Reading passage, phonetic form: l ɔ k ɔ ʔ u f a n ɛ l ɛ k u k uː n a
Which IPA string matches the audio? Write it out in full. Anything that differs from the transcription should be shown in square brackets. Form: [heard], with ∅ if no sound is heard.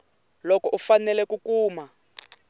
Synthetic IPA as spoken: l ɔ k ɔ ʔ u f a n ɛ l ɛ k u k uː [m] a

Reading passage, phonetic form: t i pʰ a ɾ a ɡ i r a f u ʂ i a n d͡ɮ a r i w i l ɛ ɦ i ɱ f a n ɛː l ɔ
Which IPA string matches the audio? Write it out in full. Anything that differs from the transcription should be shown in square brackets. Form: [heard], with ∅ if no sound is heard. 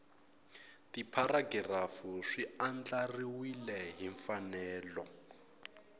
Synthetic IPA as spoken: t i pʰ a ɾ a ɡ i r a f u ʂ i a n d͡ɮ a r i w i l ɛ ɦ i ɱ f a n ɛː l ɔ

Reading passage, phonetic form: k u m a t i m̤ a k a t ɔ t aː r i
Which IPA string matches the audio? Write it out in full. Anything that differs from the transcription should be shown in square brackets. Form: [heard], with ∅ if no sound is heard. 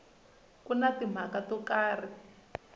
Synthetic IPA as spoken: k u [n] a t i m̤ a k a t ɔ [k] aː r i

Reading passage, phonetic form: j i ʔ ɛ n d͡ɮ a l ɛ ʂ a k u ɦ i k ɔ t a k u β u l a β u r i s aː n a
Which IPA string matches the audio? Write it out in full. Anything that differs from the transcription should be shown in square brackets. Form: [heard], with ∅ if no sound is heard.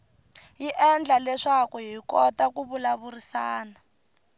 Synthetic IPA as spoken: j i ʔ ɛ n d͡ɮ a l ɛ ʂ a k u ɦ i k ɔ t a k u β u l a β u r i s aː n a

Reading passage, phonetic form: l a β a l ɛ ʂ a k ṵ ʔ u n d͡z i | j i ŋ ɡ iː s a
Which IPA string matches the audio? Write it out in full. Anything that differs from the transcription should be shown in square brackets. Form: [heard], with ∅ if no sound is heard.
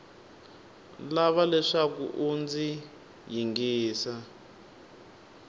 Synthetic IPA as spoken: l a β a l ɛ ʂ a k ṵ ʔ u n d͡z i | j i ŋ ɡ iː s a

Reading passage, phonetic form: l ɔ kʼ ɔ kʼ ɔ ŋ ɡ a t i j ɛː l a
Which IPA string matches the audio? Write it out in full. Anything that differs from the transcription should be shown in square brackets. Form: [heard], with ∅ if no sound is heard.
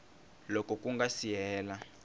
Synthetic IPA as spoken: l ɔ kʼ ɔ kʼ [u] ŋ ɡ a [s] i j ɛː l a

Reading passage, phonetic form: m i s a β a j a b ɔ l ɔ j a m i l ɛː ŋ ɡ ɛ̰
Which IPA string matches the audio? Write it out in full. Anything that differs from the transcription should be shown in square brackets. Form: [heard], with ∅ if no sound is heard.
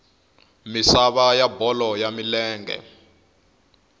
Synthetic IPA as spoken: m i s a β a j a b ɔ l ɔ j a m i l ɛː ŋ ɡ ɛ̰

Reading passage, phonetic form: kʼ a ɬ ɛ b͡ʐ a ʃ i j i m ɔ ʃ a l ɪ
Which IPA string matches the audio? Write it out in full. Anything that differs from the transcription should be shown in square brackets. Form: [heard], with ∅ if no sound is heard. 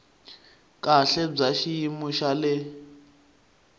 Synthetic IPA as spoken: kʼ a ɬ ɛ b͡ʐ a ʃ i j i m [u] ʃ a l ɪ

